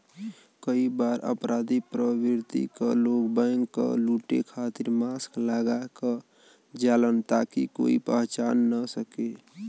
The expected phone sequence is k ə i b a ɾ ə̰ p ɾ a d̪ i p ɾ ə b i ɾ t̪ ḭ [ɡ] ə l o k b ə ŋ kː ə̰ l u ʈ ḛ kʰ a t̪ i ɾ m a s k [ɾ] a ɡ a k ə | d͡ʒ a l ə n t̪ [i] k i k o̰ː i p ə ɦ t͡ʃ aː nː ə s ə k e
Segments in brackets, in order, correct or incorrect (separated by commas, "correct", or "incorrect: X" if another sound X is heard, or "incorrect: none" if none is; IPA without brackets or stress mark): incorrect: k, incorrect: l, incorrect: a